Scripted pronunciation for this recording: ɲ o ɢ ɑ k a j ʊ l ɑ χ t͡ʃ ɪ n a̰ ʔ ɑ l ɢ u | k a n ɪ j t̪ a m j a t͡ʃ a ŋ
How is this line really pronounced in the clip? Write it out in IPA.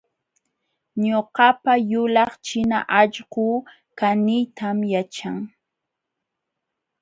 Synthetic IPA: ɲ o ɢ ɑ p a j ʊ l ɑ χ t͡ʃ ɪ n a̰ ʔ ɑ ʎ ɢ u | k a n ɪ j t̪ a m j a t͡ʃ a ŋ

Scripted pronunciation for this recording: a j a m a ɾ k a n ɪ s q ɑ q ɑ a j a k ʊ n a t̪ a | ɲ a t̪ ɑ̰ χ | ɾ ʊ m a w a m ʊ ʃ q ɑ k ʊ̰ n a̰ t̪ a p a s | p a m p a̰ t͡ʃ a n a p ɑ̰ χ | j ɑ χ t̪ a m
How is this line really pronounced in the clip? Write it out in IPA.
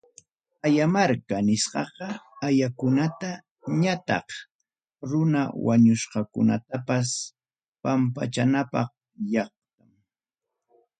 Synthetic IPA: a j a m a ɾ k a n ɪ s q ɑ q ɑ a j a k ʊ n a t̪ a | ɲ a t̪ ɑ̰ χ | ɾ ʊ n a w a ɲ ʊ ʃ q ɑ k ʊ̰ n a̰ t̪ a p a s | p a m p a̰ t͡ʃ a n a p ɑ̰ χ | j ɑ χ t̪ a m

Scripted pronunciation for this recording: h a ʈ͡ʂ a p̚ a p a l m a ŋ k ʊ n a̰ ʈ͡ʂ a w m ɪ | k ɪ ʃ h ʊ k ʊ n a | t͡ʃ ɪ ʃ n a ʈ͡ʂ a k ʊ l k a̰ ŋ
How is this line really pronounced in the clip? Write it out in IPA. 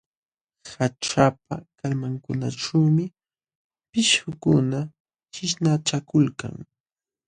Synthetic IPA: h a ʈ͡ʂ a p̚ a k a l m a ŋ k ʊ n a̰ ʈ͡ʂ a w m ɪ | p ɪ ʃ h ʊ k ʊ n a | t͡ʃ ɪ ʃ n a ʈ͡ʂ a k ʊ l k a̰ ŋ

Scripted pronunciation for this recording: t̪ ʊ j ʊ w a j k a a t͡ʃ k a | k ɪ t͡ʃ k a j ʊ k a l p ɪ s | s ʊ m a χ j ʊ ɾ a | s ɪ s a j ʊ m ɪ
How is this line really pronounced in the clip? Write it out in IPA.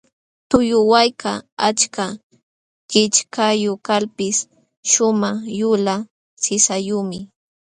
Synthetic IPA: t̪ ʊ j ʊ w a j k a a t͡ʃ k a | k ɪ t͡ʃ k a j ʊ k a l p ɪ s | ʃ ʊ m a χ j ʊ l a | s ɪ s a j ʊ m ɪ

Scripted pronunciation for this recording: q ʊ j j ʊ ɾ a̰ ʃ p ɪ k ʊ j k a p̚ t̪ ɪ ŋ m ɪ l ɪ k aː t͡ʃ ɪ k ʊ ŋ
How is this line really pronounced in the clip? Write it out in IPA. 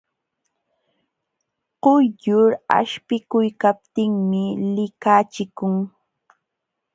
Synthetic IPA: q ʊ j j ʊ ɾ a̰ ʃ p ɪ k ʊ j k a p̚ t̪ ɪ ŋ m ɪ l ɪ k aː t͡ʃ ɪ k ʊ ŋ

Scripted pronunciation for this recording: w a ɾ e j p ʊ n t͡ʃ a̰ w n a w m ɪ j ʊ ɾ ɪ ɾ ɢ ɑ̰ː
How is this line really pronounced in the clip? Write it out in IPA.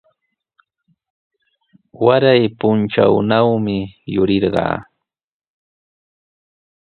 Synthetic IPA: w a ɾ a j p ʊ n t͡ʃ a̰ w n a w m ɪ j ʊ ɾ ɪ ɾ ɢ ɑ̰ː

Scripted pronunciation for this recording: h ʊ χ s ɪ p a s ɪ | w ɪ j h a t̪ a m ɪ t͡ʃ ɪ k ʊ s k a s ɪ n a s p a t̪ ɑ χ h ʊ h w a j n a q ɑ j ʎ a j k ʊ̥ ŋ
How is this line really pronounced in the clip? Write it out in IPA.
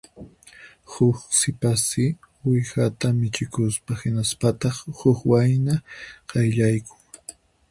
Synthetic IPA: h ʊ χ s ɪ p a s ɪ | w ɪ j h a t̪ a m ɪ t͡ʃ ɪ k ʊ s p a h ɪ n a s p a t̪ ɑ χ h ʊ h w a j n a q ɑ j ʎ a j k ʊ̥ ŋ

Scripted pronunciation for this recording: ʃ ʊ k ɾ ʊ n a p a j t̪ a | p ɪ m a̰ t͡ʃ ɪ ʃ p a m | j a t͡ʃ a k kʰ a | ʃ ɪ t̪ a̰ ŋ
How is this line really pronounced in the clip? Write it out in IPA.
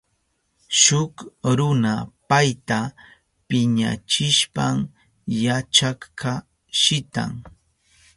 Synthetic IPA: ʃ ʊ k ɾ ʊ n a p a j t̪ a | p ɪ ɲ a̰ t͡ʃ ɪ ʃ p a m | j a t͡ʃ a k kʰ a | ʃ ɪ t̪ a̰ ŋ

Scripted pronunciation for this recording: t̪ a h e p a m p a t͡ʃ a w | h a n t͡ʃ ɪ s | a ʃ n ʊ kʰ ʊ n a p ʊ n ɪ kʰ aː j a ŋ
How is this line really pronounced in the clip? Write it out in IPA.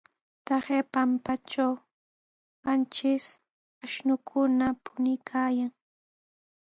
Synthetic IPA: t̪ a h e p a m p a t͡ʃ a w | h a n t͡ʃ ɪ s | a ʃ n ʊ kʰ ʊ n a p ʊ n ɪ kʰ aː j a ŋ

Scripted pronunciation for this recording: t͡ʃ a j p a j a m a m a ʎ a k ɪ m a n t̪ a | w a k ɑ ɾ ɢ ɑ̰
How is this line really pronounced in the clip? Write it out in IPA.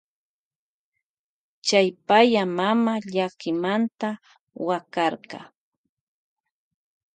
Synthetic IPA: t͡ʃ a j p a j a m a m a ʎ a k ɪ m a n t̪ a | w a k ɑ ɾ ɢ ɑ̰

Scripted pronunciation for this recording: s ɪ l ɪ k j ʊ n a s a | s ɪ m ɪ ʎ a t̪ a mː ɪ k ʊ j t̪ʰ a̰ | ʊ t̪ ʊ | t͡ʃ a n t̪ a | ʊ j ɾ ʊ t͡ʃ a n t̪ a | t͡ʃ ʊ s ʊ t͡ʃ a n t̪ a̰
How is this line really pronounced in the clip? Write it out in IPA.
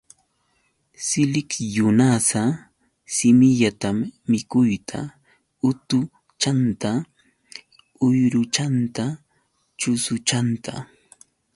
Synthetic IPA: s ɪ l ɪ k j ʊ n a s a | s ɪ m ɪ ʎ a t̪ a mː ɪ k ʊ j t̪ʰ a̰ | ʊ t̪ ʊ | t͡ʃ a n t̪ a | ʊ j ɾ ʊ t͡ʃ a n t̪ a | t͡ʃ ʊ s ʊ t͡ʃ a n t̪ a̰

